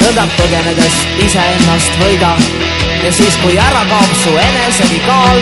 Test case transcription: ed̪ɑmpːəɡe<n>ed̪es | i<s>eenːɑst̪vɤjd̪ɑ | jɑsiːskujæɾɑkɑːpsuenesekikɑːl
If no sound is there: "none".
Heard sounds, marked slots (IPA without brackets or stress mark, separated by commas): n, s